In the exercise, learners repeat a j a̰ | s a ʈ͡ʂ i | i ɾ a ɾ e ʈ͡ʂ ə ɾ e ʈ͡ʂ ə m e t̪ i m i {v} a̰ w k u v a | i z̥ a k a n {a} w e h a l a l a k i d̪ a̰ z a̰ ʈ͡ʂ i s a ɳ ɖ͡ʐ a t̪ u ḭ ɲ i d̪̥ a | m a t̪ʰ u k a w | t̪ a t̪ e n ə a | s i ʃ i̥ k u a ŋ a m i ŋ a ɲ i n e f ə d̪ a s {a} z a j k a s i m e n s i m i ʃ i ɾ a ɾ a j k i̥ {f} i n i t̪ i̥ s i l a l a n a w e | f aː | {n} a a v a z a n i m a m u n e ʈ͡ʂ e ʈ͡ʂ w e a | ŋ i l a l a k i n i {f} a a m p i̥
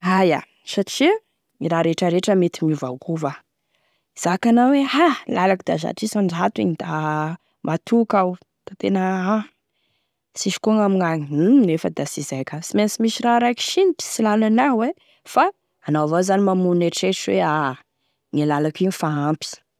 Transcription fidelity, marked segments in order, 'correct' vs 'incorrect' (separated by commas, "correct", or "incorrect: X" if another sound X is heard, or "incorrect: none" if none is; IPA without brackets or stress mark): correct, correct, incorrect: i, incorrect: ʃ, correct, correct